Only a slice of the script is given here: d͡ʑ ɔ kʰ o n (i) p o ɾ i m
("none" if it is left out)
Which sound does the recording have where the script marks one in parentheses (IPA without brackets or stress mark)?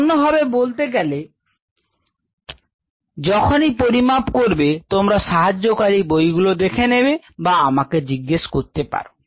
i